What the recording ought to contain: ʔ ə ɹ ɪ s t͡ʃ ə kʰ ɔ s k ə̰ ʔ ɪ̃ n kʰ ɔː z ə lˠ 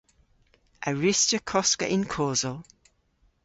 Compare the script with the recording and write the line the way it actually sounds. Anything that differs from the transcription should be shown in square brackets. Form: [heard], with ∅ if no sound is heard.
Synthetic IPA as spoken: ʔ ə ɹ ɪ s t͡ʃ ə kʰ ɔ s k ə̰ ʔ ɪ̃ n kʰ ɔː z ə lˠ